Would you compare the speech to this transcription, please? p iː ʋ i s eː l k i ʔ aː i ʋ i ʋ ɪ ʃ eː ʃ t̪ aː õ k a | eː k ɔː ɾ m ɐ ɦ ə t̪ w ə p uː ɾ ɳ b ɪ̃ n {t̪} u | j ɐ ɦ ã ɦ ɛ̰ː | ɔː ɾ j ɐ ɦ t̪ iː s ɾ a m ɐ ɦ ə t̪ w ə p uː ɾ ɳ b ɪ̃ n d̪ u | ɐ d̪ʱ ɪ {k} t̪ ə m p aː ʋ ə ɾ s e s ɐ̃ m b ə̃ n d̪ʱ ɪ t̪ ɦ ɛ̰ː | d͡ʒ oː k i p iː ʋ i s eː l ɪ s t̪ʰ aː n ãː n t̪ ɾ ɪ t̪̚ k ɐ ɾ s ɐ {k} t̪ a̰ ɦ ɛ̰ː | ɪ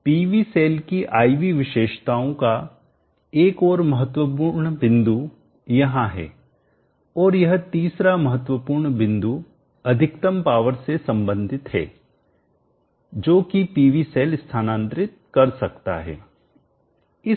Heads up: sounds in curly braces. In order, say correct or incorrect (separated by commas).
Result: incorrect, correct, correct